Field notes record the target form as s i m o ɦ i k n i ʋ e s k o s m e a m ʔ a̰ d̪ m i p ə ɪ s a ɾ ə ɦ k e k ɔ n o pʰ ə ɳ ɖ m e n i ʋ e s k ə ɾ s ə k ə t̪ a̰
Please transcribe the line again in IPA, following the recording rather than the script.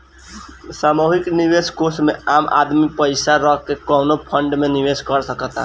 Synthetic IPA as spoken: s a m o ɦ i k n i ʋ e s k o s m e a m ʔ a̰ d̪ m i p ə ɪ s a ɾ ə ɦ k e k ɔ n o pʰ ə ɳ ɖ m e n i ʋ e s k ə ɾ s ə k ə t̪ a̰